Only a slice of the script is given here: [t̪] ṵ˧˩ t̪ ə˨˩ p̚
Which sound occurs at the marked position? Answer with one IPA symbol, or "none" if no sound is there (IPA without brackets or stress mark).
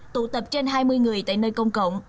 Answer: t̪